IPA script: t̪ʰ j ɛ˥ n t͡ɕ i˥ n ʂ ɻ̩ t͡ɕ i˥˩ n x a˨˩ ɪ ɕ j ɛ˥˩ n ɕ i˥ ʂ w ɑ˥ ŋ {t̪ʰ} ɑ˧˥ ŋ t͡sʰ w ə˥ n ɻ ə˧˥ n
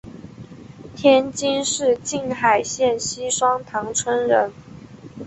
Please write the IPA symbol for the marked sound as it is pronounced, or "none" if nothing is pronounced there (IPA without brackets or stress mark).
t̪ʰ